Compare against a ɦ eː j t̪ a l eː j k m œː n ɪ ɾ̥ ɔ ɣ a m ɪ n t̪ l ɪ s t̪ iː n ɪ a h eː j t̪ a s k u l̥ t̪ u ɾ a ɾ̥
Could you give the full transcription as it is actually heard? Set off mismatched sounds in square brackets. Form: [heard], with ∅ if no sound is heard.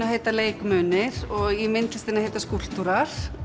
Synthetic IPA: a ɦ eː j t̪ a l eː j k m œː n ɪ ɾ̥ ɔ ɣ [i] m ɪ n t̪ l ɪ s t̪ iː n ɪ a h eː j t̪ a s k u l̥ t̪ u ɾ a ɾ̥